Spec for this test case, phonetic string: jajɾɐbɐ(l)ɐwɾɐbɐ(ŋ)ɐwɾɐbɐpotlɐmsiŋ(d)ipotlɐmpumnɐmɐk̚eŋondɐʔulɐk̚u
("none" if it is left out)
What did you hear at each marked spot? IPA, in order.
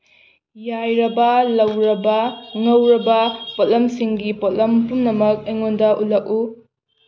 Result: l, ŋ, ɡ

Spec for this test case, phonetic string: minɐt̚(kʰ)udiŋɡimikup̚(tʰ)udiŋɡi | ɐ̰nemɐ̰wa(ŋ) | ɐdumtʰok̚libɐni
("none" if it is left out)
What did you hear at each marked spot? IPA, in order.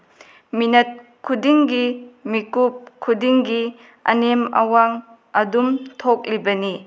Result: kʰ, kʰ, ŋ

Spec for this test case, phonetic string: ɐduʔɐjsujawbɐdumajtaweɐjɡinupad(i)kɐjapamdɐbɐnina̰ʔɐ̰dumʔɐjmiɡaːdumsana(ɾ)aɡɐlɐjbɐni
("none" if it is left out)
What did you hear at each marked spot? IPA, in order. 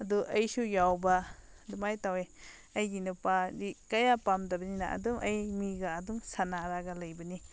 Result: i, ɾ

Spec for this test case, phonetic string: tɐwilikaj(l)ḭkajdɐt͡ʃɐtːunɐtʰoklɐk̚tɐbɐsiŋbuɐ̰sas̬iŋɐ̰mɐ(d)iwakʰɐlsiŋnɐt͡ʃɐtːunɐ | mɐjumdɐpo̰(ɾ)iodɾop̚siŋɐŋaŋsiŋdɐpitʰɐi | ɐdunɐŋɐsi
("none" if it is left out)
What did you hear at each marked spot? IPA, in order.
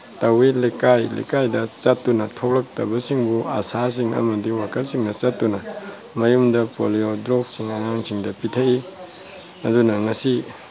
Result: l, d, l

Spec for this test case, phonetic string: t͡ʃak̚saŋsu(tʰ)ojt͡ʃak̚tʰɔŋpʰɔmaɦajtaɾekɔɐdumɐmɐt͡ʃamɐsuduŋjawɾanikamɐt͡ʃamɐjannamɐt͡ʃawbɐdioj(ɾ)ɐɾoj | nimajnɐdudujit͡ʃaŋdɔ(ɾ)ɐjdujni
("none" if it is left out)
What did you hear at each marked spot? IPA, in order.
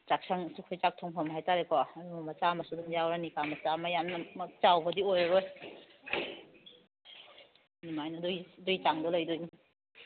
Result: kʰ, ɾ, l

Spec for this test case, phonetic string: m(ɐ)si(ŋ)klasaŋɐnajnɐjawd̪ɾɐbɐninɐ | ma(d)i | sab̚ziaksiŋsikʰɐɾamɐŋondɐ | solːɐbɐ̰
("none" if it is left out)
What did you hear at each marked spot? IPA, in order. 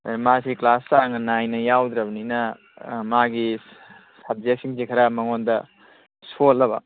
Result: a, none, ɡ

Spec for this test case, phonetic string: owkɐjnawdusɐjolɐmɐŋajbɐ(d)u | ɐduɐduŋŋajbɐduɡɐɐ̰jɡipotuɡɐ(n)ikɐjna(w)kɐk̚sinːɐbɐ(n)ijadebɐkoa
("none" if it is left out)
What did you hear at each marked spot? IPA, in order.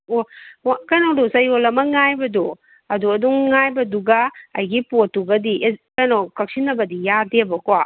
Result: d, d, w, d

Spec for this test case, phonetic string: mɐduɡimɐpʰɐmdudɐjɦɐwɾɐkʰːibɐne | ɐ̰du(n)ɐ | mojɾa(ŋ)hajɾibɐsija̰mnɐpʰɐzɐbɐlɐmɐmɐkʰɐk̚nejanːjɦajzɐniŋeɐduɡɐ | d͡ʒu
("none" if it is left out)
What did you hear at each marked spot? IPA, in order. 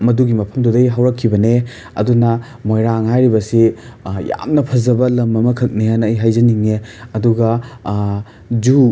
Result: n, ŋ

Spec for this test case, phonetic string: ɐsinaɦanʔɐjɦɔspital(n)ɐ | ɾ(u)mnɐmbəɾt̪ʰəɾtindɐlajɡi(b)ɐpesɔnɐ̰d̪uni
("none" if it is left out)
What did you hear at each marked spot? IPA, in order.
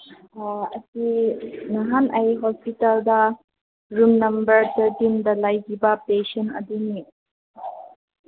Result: d, u, b

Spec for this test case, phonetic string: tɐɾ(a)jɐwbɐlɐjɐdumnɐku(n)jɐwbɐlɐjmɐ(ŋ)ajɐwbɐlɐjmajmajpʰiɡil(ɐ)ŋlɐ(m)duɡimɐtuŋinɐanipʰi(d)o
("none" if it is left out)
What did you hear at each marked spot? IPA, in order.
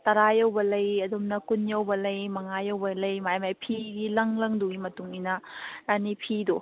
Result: a, n, ŋ, ɐ, ŋ, d

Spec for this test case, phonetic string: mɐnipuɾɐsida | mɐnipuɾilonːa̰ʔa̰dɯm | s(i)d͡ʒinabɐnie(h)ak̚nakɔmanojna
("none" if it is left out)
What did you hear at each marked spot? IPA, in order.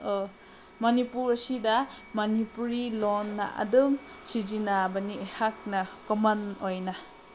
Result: i, h

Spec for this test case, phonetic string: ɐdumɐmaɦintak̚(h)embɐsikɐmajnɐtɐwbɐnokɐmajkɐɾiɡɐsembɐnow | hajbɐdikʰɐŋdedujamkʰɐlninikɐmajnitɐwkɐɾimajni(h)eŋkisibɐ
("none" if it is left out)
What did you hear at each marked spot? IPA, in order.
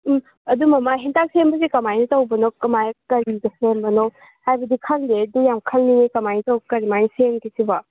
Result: s, s

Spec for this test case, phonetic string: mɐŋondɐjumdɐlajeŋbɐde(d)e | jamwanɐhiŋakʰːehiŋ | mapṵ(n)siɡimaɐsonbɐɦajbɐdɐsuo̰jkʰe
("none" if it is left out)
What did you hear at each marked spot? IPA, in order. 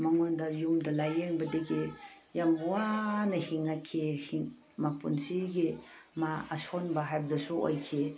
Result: ɡ, n

